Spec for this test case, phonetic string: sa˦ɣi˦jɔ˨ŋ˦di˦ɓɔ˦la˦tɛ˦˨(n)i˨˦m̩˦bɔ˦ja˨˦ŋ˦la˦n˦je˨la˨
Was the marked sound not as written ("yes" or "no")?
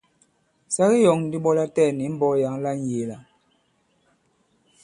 no